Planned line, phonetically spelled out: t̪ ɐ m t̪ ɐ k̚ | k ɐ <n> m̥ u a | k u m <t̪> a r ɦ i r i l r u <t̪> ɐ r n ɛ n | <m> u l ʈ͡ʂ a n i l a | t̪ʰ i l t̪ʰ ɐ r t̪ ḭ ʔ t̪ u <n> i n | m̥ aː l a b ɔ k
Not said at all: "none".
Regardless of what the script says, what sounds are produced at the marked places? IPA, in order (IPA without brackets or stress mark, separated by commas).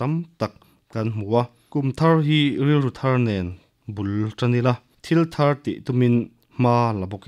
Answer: n, t̪ʰ, t̪ʰ, b, m